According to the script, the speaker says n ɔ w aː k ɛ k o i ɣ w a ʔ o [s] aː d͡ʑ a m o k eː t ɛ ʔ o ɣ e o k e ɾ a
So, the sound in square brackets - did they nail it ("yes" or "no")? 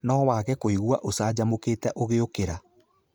yes